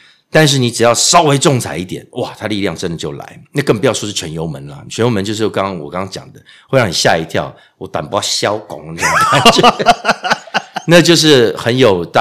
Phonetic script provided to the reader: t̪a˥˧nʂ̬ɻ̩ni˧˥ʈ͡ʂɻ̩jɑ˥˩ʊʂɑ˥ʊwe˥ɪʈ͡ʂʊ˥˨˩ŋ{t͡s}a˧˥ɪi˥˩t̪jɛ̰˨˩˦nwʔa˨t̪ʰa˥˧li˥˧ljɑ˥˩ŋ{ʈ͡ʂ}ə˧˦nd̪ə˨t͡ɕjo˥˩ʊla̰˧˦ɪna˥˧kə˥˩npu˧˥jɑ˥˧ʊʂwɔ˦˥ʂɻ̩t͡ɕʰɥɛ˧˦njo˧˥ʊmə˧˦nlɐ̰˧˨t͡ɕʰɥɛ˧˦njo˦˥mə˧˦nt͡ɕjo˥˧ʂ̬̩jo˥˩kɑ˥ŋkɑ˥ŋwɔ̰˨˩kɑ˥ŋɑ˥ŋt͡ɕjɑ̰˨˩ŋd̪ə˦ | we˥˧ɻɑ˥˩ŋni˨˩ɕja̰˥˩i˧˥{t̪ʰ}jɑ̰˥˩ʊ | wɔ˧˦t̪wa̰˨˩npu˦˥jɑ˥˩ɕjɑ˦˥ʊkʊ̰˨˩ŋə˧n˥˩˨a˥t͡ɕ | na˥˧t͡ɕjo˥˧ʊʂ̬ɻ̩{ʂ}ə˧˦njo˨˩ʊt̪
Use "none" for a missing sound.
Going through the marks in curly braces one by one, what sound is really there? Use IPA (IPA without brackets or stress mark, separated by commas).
t͡sʰ, ʈ͡ʂ, t̪ʰ, x